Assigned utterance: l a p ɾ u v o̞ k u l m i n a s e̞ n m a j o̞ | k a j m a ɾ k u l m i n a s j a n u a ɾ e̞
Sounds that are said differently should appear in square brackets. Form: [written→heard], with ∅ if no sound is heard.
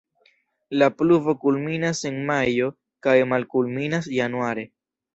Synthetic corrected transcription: l a p [ɾ→l] u v o̞ k u l m i n a s e̞ n m a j o̞ | k a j m a [ɾ→l] k u l m i n a s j a n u a ɾ e̞